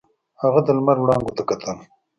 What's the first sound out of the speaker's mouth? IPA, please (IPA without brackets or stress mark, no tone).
h